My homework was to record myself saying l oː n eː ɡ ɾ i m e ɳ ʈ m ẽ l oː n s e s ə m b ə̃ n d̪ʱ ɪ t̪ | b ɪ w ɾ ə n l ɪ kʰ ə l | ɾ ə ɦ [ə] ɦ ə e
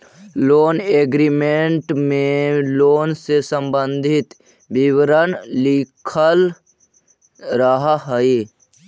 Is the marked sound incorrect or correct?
incorrect